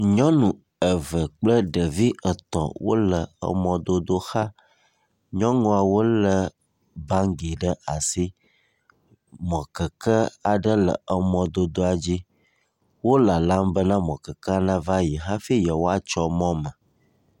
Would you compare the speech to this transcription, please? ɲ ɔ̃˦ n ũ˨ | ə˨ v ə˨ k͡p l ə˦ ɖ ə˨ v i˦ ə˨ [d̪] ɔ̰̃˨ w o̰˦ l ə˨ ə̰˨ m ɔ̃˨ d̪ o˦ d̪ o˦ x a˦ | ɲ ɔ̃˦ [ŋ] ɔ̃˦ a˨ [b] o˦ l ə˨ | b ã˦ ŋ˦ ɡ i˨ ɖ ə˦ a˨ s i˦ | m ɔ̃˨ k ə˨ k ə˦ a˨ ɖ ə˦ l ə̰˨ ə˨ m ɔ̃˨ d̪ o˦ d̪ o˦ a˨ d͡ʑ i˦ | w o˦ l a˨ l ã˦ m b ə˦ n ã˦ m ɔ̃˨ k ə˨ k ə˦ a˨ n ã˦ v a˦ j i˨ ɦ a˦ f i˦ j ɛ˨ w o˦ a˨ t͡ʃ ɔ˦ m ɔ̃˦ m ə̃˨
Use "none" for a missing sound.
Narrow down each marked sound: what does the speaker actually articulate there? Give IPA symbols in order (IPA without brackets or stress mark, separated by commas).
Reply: t̪, ŋ, w